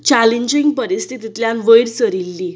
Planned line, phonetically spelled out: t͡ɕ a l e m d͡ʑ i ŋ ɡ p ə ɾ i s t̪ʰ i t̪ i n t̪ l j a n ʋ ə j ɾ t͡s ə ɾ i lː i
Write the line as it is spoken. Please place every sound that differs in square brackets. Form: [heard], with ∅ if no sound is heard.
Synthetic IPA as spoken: t͡ɕ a l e [ɲ] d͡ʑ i ŋ ɡ p ə ɾ i s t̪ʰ i t̪ i [∅] t̪ l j a n ʋ ə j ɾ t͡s ə ɾ i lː i